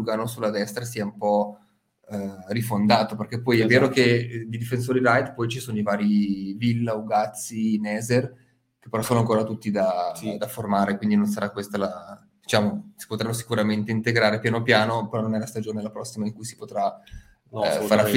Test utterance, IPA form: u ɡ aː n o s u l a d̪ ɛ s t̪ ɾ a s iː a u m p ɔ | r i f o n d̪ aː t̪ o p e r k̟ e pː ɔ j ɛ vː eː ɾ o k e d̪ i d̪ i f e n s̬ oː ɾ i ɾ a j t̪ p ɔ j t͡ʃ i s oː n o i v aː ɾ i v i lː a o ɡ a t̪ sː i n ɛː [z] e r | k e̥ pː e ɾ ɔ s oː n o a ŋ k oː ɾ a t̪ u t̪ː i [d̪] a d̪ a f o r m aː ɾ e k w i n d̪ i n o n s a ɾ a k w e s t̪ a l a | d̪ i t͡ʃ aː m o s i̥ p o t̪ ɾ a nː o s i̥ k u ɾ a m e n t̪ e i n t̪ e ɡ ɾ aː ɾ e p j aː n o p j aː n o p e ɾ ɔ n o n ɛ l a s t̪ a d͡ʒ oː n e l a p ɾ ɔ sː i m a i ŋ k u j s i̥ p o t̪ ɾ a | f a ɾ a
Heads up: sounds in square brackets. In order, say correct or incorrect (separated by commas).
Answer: correct, correct